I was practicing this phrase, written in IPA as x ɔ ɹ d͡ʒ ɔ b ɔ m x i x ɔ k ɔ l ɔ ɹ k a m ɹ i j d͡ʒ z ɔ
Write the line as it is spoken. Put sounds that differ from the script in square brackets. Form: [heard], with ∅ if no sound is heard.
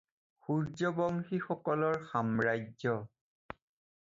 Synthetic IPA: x [u] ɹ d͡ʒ ɔ b ɔ [ŋ] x i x ɔ k ɔ l ɔ ɹ [x] a m ɹ [a] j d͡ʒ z ɔ